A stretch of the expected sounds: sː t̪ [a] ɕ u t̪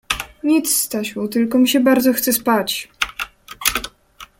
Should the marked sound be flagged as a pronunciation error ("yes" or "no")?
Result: no